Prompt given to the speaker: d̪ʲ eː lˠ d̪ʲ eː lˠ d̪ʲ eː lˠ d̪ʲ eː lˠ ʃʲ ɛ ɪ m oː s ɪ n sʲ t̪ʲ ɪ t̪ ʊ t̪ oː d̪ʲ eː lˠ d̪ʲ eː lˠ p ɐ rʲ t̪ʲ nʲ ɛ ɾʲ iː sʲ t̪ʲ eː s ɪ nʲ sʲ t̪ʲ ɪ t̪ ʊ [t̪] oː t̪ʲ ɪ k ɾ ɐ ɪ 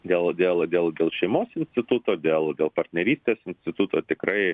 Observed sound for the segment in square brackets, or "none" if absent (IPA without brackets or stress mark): t̪